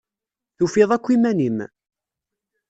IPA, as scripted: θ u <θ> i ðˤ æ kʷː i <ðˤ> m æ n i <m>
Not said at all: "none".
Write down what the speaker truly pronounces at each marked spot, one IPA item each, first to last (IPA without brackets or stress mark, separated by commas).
f, none, m